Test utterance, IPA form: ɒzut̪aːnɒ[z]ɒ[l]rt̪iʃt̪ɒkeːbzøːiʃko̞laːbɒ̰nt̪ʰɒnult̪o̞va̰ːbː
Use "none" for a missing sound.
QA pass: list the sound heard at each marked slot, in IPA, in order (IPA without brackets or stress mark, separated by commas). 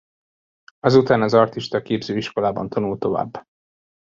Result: z, none